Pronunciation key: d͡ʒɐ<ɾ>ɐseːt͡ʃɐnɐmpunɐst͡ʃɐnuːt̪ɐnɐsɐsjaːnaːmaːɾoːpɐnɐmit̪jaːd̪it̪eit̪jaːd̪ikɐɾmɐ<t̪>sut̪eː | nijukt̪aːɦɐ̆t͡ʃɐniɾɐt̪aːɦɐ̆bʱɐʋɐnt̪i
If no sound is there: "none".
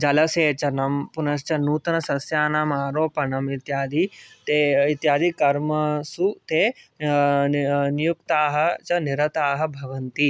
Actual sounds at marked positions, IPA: l, none

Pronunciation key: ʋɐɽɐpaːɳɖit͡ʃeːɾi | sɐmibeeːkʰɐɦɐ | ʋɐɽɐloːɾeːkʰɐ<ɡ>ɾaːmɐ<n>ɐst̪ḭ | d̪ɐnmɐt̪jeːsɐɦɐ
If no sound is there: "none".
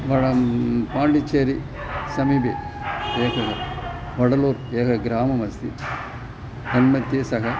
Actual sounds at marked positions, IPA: ɡ, m

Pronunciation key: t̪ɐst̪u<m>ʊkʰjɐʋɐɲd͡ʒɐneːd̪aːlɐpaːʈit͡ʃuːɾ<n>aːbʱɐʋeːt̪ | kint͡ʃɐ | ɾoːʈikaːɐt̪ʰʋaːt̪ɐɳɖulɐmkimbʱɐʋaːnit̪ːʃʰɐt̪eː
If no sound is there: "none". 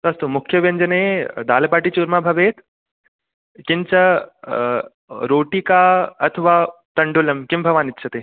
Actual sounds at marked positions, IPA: m, m

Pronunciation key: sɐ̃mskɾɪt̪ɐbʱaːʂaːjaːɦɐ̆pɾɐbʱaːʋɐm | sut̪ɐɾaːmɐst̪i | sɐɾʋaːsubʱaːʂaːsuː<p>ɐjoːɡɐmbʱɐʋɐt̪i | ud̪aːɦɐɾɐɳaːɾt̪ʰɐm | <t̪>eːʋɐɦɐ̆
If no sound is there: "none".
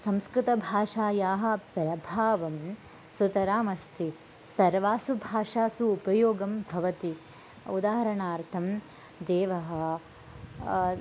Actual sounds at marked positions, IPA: p, d̪

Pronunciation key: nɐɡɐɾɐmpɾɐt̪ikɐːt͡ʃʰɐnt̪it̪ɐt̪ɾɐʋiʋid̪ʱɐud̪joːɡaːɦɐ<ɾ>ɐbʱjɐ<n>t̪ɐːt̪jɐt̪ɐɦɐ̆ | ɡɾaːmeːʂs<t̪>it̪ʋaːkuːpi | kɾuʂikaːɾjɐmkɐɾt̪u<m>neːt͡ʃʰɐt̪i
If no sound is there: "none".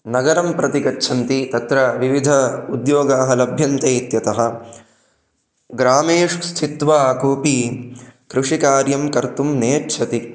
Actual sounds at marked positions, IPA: l, n, t̪ʰ, m

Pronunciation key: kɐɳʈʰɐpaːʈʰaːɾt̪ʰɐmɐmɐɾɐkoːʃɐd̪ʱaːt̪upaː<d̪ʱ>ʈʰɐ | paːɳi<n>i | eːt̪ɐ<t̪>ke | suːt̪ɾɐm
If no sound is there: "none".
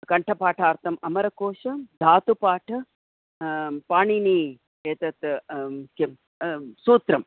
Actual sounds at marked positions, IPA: none, n, t̪

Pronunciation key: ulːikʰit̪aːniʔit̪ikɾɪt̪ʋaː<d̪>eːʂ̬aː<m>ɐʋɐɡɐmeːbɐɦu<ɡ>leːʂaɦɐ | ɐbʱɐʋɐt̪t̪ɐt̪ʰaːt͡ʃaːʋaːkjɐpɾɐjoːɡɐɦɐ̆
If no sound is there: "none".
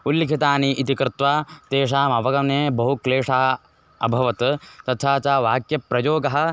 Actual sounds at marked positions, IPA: t̪, m, k

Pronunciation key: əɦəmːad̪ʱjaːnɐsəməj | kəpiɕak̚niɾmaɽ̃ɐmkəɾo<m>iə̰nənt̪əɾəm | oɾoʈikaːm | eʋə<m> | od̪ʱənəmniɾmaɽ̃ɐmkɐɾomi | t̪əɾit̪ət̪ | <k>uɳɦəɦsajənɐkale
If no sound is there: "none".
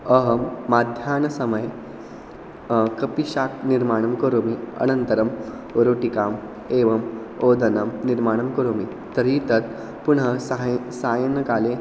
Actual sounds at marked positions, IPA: m, m, p

